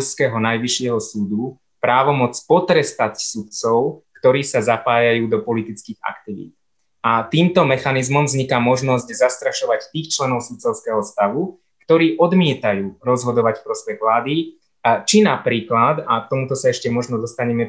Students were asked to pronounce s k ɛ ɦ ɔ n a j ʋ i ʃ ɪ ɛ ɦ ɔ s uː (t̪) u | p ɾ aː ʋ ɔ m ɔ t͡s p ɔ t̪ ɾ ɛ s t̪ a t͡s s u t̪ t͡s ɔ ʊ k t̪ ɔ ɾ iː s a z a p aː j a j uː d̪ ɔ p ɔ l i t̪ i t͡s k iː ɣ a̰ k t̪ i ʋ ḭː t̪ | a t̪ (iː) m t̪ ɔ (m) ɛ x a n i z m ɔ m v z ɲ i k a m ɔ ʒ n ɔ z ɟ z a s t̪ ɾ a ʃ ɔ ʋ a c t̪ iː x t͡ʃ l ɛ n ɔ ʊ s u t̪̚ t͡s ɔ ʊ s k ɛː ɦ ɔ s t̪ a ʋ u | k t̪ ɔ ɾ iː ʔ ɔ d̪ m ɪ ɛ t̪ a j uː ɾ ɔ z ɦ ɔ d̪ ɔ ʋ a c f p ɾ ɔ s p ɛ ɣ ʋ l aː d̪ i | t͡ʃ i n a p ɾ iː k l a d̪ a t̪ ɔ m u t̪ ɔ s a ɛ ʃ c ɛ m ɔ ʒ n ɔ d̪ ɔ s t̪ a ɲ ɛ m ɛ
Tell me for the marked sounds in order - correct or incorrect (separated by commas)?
incorrect, correct, correct